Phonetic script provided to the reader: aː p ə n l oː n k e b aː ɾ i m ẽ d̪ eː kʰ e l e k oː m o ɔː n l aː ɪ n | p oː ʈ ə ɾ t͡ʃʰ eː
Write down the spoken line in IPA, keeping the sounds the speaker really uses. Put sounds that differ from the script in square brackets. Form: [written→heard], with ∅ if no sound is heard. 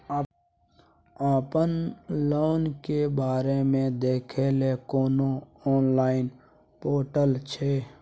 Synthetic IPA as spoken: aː p ə n l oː n k e b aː ɾ [i→e] m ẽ d̪ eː kʰ e l e k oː [m→n] o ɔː n l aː ɪ n | p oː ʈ ə [ɾ→l] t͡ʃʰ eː